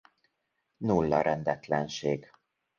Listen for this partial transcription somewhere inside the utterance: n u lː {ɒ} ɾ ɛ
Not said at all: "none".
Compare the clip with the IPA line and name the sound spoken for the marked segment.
ɒ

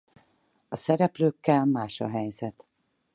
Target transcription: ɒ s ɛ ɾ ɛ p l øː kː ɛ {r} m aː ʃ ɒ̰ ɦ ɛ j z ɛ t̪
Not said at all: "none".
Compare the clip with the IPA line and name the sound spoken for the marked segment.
l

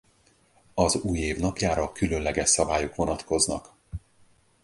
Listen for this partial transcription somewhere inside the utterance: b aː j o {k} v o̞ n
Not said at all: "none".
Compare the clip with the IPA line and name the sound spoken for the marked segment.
k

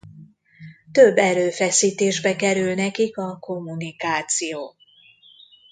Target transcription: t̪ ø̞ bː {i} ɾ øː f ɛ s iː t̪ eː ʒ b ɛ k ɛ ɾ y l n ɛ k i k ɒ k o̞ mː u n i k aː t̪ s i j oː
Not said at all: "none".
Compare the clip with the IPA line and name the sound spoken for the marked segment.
ɛ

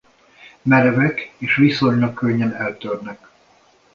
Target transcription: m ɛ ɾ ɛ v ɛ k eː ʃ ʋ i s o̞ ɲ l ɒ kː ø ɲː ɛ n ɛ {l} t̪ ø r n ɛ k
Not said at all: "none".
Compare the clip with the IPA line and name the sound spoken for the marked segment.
l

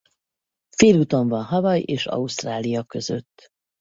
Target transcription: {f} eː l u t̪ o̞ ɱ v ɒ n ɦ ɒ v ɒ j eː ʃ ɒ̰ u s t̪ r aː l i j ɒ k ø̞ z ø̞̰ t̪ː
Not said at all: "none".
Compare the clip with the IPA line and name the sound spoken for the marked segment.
f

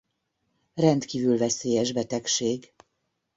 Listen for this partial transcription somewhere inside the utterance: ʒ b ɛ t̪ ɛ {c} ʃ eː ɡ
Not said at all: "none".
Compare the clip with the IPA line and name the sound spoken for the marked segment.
k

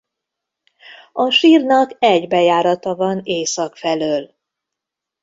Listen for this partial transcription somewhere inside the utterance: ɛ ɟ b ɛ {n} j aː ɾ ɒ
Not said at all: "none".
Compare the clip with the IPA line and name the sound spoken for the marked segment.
none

